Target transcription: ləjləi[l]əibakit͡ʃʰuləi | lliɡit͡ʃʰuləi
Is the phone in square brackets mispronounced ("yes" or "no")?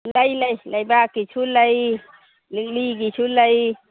no